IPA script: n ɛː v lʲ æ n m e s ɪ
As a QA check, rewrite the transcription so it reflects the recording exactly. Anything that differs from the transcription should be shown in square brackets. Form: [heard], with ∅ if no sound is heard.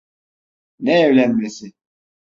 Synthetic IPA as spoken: n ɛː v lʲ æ n m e s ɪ